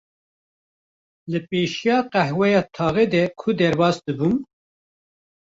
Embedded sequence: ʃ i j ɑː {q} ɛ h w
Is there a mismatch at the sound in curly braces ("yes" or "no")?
no